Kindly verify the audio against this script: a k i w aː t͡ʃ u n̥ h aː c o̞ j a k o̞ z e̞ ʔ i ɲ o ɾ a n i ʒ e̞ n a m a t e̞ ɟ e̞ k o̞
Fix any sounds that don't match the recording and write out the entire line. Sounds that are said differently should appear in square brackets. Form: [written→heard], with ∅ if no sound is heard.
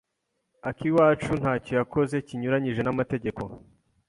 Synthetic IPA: a k i w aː t͡ʃ u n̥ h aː c o̞ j a k o̞ z e̞ [ʔ→c] i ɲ [o→u] ɾ a [n→ɲ] i ʒ e̞ n a m a t e̞ ɟ e̞ k o̞